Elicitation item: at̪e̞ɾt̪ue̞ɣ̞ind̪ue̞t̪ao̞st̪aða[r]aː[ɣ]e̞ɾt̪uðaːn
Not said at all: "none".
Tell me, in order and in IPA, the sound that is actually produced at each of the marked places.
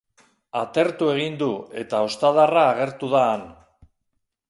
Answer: r, ɣ

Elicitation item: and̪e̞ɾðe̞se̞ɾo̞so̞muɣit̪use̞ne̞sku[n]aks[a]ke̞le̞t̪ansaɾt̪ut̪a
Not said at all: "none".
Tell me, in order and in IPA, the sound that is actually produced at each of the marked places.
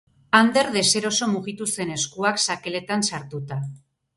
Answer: none, a

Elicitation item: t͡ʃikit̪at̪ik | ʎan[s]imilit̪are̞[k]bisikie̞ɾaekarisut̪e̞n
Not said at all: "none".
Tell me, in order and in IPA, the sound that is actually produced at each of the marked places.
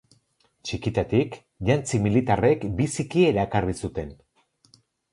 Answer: t͡s, k

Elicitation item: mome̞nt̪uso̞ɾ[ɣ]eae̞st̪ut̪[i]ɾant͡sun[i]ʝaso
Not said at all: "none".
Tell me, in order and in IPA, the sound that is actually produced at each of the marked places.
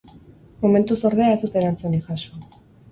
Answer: ð, e, i

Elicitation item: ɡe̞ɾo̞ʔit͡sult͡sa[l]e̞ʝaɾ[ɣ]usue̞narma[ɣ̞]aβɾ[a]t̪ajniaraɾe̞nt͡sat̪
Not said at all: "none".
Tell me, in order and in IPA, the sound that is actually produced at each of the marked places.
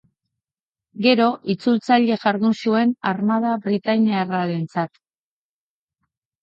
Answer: ʎ, ð, ð̞, i

